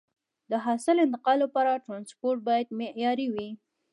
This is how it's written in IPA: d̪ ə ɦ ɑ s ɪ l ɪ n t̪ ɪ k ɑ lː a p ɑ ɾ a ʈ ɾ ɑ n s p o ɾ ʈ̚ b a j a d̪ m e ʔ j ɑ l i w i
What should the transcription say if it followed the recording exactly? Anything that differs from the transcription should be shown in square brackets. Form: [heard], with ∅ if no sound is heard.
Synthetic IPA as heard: d̪ ə ɦ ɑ s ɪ l ɪ n t̪ ɪ [q] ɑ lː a p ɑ ɾ a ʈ ɾ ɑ n s p o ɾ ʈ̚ b [ɑ] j a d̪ m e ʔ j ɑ [ɾ] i w i

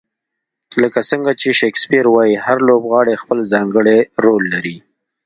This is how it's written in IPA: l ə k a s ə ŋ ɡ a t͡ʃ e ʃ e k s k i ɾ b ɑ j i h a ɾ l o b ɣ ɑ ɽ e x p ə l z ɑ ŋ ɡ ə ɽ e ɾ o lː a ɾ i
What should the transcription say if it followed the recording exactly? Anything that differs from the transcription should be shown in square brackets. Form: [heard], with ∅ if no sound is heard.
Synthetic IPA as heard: l ə k a s ə ŋ ɡ a t͡ʃ e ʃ e k s [p] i ɾ [w] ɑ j i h a ɾ l o b ɣ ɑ ɽ e x p ə l z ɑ ŋ ɡ ə ɽ e ɾ o lː a ɾ i

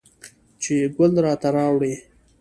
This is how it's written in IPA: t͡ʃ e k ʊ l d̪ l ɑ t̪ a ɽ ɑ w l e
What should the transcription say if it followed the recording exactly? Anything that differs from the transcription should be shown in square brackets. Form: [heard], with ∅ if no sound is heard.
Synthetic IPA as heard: t͡ʃ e [ɡ] ʊ l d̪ [ɾ] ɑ t̪ a [ɾ] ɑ w [ɽ] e

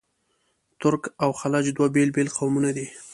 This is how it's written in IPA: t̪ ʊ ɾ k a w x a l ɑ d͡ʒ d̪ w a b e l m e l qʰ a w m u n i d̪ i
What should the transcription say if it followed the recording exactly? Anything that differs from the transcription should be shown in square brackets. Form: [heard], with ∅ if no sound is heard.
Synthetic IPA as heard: t̪ ʊ ɾ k a w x a l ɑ d͡ʒ d̪ w a b e l [b] e l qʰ a w m u n [a] d̪ i

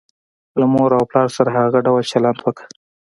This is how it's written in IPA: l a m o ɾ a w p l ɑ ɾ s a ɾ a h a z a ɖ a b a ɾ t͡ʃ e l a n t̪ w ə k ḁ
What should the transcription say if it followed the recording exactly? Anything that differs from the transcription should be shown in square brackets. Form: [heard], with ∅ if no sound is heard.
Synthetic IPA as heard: l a m o ɾ a w p l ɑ ɾ s a ɾ a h a [ɣ] a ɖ a [w] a [l] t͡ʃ [a] l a n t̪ w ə k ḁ

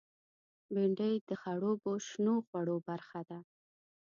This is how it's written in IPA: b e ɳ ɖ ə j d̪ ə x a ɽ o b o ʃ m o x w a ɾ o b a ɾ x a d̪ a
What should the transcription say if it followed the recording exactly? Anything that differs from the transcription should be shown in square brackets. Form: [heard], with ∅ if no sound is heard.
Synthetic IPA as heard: b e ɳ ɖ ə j d̪ ə x a ɽ o b o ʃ [n] o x w a [ɽ] o b a ɾ x a d̪ a

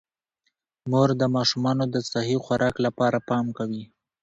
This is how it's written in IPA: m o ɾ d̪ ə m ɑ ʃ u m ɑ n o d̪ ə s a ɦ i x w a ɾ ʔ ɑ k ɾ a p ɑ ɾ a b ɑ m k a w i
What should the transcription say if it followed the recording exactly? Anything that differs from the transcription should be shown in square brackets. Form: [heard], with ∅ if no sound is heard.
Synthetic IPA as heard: m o ɾ d̪ ə m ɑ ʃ u m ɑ n o d̪ ə s a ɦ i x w a ɾ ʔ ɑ k [l] a p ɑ ɾ a [p] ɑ m k a w i

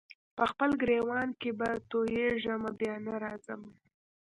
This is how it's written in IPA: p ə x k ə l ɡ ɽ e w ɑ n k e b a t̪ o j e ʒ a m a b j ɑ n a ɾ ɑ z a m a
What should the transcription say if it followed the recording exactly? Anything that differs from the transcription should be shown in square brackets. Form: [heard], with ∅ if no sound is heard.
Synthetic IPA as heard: p ə x [p] ə l ɡ [ɾ] e w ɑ n k e b a t̪ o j e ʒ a m a b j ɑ n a ɾ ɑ z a m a

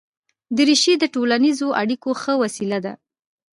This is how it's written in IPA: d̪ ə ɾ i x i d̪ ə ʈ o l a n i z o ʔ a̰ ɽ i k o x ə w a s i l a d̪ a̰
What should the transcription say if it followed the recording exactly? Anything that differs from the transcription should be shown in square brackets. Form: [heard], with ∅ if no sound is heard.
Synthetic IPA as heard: d̪ ə ɾ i [ʃ] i d̪ ə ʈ o l a n i z o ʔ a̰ ɽ i k o x ə w a s i l a d̪ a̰

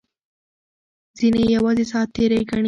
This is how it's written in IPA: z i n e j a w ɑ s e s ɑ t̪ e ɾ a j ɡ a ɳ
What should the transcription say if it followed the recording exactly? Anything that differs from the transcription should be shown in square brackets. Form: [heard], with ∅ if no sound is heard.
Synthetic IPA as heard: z i n e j a w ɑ [z] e s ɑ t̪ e ɾ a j ɡ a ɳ

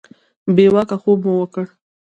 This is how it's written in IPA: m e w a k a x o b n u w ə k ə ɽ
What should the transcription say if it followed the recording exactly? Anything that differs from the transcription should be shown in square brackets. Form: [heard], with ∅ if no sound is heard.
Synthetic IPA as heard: [b] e w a k a x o b [m] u w ə k ə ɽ

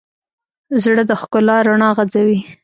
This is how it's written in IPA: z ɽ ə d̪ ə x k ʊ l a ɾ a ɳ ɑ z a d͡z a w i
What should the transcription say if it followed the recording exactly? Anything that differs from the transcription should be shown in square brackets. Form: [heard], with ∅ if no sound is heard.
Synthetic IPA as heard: z ɽ ə d̪ ə x k ʊ l [ɑ] ɾ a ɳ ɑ [ɣ] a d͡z a w i

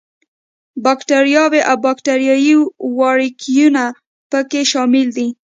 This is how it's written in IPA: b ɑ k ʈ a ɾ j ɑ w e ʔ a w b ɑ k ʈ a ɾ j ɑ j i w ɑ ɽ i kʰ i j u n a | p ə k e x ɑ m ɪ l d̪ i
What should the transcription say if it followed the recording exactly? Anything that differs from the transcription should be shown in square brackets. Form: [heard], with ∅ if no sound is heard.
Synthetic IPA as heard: b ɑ k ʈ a ɾ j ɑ w e ʔ a w b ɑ k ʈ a ɾ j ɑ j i w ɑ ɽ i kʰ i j u n a | p ə k e [ʃ] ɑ m ɪ l d̪ i

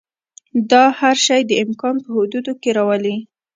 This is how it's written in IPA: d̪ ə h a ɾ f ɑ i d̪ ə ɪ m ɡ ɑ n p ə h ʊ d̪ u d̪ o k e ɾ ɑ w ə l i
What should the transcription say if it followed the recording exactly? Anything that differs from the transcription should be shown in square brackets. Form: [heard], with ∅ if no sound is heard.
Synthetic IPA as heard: d̪ [ɑ] h a ɾ [ʃ] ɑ [j] d̪ ə ɪ m [k] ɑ n p ə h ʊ d̪ u d̪ o k e ɾ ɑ w ə l i

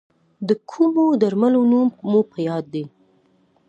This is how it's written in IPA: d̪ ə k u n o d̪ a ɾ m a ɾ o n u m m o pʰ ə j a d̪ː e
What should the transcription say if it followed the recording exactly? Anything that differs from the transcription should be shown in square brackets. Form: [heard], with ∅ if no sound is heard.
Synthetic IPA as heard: d̪ ə [kʰ] u [m] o d̪ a ɾ m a [l] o n u m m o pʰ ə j [ɑ] d̪ː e

